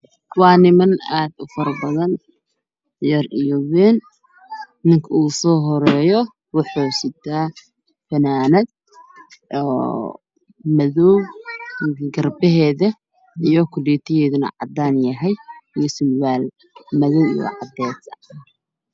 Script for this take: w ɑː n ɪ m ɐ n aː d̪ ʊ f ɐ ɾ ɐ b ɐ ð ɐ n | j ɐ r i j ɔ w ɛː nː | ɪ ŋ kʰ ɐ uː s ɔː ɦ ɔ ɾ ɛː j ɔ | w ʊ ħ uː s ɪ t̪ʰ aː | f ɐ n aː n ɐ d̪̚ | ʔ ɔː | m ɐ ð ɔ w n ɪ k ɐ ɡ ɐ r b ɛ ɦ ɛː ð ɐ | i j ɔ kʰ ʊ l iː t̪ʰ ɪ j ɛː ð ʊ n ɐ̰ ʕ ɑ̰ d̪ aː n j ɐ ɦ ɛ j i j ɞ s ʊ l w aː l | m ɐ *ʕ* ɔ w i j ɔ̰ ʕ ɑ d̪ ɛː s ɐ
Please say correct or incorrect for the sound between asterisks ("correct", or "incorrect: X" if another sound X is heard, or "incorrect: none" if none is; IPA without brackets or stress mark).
incorrect: ð